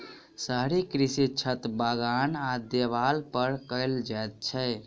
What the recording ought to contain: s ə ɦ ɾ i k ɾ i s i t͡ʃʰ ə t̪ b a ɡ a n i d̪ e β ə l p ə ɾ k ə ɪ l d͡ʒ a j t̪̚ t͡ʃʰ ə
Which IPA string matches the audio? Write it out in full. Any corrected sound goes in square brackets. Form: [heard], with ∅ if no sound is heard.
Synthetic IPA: s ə ɦ ɾ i k ɾ i s i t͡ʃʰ ə t̪ b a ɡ a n [a] d̪ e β [a] l p ə ɾ k ə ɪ l d͡ʒ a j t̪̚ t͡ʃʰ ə